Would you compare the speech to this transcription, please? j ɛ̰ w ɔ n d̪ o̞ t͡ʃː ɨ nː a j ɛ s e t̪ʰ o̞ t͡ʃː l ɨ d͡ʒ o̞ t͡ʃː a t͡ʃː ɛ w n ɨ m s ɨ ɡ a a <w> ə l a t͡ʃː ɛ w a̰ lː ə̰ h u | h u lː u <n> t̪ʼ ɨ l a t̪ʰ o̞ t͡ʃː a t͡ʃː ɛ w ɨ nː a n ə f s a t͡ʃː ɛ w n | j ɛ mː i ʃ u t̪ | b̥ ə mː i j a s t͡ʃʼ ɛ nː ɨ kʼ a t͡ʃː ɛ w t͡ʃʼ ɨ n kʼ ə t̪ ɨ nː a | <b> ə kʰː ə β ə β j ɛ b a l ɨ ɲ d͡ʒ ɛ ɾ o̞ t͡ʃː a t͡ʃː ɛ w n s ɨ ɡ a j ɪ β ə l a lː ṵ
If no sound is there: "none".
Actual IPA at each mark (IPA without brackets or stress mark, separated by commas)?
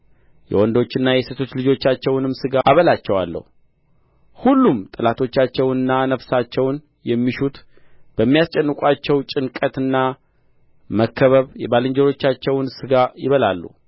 β, m, m